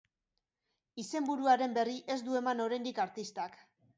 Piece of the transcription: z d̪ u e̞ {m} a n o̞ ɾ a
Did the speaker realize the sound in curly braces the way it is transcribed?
yes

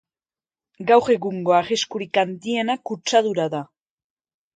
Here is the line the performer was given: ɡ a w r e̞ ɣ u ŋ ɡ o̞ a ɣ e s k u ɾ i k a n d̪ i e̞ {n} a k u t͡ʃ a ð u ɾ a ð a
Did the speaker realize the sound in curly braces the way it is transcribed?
yes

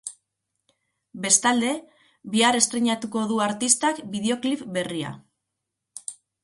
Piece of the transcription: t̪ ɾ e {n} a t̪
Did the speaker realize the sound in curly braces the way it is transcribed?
no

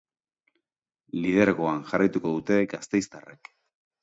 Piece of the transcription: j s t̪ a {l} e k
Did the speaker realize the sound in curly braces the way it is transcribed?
no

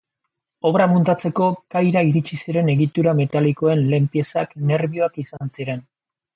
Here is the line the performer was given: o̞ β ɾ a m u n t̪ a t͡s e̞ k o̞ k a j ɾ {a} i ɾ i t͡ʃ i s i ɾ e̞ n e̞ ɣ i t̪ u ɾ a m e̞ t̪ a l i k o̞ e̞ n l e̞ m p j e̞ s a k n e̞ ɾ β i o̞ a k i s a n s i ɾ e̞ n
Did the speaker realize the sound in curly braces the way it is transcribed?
yes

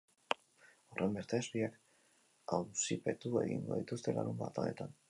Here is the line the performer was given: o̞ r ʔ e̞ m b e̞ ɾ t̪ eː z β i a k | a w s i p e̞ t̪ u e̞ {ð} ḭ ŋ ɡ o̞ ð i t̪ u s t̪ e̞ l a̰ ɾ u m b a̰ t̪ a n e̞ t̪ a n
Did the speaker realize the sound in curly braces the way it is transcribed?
no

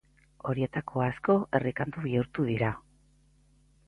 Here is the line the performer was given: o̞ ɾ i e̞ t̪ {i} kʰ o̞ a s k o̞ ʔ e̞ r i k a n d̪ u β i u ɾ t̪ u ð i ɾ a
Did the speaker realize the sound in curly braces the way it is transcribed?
no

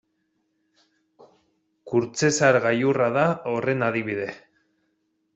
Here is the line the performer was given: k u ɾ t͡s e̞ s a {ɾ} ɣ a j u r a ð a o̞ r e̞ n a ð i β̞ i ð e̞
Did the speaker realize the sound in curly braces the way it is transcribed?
yes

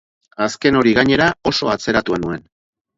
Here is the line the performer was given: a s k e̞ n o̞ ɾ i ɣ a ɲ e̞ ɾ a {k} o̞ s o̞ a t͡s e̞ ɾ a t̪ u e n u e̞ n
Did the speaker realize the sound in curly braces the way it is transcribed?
no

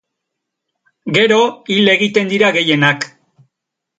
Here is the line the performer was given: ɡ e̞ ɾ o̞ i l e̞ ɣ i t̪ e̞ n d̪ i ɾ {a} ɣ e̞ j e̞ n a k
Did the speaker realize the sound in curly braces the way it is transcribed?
yes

